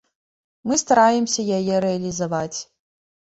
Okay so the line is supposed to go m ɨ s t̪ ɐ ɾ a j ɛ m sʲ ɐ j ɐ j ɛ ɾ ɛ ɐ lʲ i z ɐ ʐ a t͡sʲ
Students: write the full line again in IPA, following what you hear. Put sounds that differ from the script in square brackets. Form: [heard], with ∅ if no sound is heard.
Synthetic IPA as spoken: m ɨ s t̪ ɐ ɾ a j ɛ m sʲ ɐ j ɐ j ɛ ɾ ɛ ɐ lʲ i z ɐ [v] a t͡sʲ